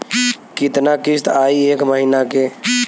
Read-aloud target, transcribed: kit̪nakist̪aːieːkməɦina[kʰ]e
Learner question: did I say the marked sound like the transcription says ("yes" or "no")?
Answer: no